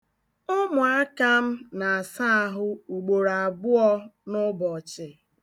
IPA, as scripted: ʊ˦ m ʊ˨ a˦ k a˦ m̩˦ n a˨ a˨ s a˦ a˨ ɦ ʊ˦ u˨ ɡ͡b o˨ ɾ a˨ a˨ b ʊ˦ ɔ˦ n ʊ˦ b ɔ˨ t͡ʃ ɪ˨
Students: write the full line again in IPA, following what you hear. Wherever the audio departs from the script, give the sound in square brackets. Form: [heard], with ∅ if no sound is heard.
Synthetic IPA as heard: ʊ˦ m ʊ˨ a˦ k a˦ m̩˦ n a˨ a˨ s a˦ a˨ ɦ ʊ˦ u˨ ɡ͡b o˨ ɾ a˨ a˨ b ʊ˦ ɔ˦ n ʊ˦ b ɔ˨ t͡ʃ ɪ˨